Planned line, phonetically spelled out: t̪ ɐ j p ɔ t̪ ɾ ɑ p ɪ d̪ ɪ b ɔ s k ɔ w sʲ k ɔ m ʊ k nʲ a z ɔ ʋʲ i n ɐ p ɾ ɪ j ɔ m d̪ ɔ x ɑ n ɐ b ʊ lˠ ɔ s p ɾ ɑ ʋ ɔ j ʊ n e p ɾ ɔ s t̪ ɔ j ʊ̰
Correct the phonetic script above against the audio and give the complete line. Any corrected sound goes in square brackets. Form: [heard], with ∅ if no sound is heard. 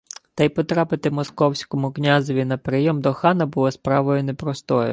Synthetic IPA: t̪ ɐ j p ɔ t̪ ɾ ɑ p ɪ [t̪] ɪ [m] ɔ s k ɔ w sʲ k ɔ m ʊ k nʲ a z ɔ ʋʲ i n ɐ p ɾ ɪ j ɔ m d̪ ɔ x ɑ n ɐ b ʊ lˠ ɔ s p ɾ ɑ ʋ ɔ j ʊ n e p ɾ ɔ s t̪ ɔ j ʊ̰